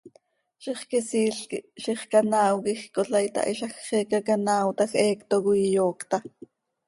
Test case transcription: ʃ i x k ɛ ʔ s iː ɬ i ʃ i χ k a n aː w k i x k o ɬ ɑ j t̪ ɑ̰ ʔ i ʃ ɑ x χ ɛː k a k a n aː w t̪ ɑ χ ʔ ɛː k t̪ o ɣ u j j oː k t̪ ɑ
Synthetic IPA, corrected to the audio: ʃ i χ k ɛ s iː ɬ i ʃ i χ k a n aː w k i x k o ɬ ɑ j t̪ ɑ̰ ʔ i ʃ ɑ x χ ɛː k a k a n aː w t̪ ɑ x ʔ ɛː k t̪ o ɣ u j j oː k t̪ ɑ